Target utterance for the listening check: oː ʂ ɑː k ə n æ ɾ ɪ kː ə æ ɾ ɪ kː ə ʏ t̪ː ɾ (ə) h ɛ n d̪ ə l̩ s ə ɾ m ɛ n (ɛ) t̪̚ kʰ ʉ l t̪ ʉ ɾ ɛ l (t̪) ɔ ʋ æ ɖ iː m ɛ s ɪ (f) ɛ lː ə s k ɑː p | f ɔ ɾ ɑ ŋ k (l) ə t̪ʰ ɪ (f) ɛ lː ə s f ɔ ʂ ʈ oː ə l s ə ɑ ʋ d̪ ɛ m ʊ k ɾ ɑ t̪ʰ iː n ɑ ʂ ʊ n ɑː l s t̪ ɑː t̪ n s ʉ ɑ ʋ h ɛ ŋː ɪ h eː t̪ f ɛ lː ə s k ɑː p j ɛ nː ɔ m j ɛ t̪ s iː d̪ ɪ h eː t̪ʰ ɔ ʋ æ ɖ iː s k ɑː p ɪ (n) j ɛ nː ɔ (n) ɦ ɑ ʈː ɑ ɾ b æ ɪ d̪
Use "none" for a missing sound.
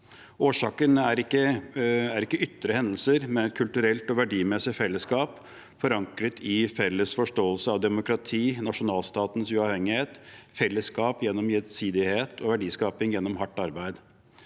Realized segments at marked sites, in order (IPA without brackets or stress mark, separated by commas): ə, ɛ, t̪, f, ɾ, f, ŋ, m